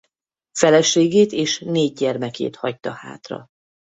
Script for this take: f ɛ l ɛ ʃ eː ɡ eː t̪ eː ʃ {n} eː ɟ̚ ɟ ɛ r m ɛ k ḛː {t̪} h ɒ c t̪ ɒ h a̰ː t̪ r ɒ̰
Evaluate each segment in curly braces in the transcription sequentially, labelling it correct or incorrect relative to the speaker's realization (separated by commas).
correct, correct